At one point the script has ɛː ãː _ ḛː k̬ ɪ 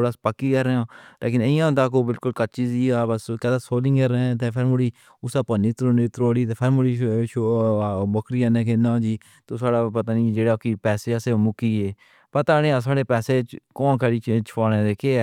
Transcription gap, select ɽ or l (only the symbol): l